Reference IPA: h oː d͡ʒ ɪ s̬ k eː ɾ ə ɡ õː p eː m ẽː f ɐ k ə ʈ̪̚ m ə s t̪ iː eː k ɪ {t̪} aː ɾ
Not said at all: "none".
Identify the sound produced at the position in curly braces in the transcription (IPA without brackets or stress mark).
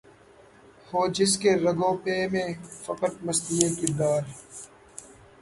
d̪